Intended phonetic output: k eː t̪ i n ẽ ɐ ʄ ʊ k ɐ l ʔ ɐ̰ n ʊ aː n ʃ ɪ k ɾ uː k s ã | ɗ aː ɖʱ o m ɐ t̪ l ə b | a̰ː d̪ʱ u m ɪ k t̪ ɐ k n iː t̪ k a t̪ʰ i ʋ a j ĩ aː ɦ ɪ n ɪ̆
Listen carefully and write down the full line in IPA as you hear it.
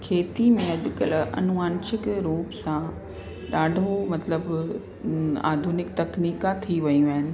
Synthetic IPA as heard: kʰ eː t̪ i m ẽ ɐ ʄ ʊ k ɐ l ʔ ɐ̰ n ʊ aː n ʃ ɪ k ɾ uː p s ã | ɗ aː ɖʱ o m ɐ t̪ l ə b | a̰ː d̪ʱ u n ɪ k t̪ ɐ k n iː k a t̪ʰ i ʋ ɐ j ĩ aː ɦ ɪ n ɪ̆